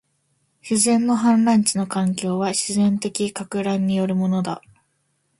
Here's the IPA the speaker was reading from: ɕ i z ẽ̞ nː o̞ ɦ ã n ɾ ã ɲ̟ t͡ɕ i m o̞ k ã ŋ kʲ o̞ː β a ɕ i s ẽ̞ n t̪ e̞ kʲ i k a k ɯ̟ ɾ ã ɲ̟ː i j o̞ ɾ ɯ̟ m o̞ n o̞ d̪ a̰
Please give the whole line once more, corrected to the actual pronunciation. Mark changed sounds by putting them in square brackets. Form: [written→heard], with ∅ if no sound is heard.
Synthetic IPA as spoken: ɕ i z ẽ̞ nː o̞ ɦ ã n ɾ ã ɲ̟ t͡ɕ i [m→n] o̞ k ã ŋ kʲ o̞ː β a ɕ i [s→z] ẽ̞ n t̪ e̞ kʲ i k a k ɯ̟ ɾ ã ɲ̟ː i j o̞ ɾ ɯ̟ m o̞ n o̞ d̪ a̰